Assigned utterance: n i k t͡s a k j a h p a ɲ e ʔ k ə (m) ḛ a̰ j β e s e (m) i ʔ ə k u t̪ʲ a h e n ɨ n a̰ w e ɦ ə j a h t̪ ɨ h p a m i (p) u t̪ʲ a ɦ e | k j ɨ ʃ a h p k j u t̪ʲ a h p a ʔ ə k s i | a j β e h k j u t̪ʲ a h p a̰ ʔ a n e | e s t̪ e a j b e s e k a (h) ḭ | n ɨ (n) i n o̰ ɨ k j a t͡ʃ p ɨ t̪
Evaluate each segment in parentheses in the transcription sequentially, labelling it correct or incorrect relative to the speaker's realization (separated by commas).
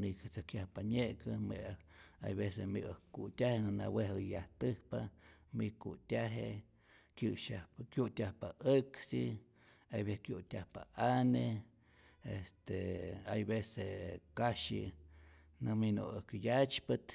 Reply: correct, correct, incorrect, incorrect, incorrect